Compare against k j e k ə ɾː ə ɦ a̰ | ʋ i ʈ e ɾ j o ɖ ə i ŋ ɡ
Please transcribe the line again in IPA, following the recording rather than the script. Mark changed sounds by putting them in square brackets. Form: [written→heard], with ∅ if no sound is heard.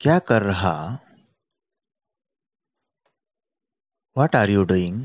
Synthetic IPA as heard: k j [e→a] k ə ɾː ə ɦ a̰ | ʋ [i→a] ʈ [e→a] ɾ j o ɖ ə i ŋ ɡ